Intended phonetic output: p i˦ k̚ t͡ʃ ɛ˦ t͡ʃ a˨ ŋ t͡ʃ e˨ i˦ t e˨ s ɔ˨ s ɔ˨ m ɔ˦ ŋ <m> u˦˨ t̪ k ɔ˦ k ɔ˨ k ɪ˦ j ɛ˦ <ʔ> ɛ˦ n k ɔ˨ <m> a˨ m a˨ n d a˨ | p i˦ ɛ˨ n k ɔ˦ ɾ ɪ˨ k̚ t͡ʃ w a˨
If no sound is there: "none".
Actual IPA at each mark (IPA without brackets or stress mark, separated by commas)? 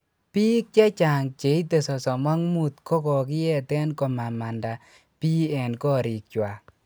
m, t, m